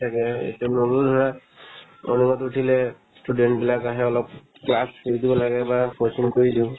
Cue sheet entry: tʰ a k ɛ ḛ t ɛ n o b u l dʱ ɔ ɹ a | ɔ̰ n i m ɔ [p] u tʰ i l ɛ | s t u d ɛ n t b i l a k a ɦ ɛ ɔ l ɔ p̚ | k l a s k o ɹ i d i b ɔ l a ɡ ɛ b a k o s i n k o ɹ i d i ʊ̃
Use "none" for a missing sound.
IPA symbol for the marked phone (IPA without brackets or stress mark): t